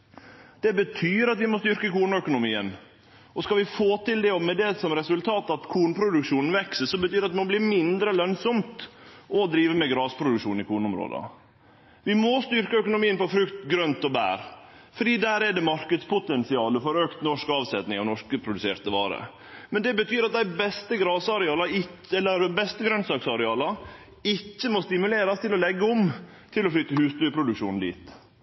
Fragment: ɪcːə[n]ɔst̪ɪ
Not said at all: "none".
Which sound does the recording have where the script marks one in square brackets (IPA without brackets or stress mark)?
m